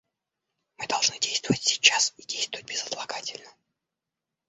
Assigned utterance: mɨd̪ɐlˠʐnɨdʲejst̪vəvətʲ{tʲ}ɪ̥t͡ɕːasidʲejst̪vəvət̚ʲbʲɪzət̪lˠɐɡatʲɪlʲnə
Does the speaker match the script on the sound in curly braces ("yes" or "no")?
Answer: no